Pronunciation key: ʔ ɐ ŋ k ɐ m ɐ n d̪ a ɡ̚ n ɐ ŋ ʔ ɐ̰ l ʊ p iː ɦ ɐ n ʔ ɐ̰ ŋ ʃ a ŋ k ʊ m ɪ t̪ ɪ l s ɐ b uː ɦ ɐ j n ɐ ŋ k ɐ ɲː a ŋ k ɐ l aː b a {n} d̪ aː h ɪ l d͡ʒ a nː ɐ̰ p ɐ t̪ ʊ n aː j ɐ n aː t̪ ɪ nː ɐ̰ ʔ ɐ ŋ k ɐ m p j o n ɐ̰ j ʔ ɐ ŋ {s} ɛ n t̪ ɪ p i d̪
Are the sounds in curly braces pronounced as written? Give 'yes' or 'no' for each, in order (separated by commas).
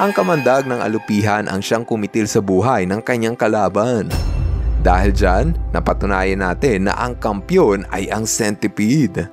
yes, yes